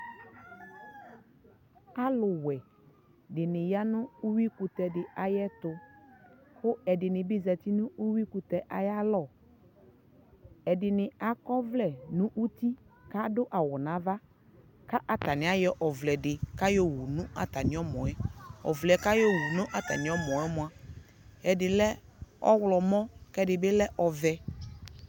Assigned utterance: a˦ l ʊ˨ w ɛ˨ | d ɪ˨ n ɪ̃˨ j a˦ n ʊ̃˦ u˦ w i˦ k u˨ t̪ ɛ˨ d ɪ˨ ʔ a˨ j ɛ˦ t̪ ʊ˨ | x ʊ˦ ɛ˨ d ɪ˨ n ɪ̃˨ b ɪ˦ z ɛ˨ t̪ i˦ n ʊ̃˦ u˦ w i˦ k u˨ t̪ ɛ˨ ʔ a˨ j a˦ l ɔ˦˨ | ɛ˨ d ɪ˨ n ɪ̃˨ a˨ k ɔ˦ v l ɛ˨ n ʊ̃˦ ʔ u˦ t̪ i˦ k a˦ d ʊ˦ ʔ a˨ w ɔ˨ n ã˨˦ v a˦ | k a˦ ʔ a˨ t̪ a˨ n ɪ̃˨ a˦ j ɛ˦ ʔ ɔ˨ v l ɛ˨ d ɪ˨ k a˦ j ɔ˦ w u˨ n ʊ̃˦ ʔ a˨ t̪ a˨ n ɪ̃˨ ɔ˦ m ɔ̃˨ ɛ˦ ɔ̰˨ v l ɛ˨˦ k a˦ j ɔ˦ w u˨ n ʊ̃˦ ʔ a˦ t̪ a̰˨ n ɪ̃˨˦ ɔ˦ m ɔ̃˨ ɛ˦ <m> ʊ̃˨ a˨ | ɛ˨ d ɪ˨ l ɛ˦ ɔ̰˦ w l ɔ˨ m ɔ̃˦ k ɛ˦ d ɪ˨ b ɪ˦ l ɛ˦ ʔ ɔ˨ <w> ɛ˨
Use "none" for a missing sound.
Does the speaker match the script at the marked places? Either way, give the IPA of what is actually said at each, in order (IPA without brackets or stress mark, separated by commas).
m, v